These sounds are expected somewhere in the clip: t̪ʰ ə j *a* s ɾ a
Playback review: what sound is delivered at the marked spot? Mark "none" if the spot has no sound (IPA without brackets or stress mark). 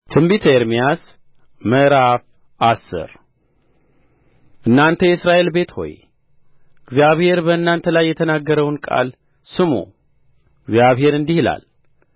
ɛ